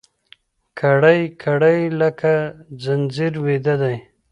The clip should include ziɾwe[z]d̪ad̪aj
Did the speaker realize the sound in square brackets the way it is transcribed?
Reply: no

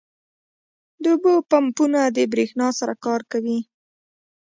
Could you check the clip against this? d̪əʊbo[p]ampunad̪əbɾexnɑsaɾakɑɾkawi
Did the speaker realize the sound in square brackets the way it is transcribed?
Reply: yes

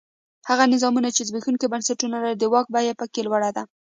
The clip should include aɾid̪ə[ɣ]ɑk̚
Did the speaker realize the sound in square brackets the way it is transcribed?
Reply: no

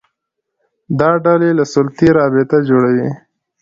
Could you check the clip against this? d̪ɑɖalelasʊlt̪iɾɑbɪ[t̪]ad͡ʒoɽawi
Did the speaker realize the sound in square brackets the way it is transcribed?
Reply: yes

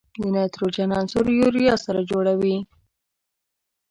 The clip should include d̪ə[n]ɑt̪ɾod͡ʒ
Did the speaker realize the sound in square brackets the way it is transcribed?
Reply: yes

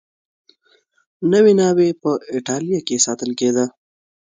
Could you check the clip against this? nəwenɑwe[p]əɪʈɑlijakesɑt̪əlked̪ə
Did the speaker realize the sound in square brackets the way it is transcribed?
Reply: yes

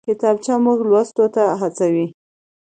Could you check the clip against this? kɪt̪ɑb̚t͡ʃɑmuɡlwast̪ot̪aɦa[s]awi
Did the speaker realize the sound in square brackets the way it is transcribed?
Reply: no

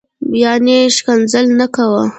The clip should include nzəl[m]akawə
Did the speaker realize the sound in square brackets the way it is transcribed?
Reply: no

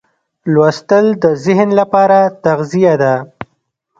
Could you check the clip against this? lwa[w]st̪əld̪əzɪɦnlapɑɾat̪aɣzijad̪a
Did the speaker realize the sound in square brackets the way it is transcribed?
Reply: no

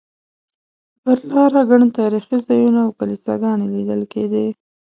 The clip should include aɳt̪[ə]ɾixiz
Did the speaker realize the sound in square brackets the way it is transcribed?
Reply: no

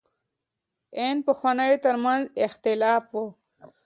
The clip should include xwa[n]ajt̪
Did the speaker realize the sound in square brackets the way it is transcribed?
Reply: yes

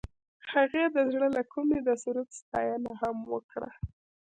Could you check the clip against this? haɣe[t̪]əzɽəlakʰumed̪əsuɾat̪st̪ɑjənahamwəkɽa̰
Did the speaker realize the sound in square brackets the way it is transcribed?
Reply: no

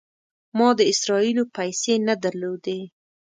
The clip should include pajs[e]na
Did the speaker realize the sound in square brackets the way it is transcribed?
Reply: yes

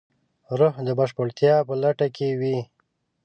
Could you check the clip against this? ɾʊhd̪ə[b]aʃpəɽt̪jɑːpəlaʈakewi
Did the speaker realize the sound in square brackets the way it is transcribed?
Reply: yes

